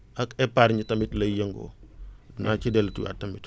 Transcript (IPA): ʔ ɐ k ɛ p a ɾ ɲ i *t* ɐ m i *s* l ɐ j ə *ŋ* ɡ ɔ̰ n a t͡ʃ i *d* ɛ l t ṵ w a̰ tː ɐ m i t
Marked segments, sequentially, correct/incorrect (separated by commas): correct, incorrect, correct, correct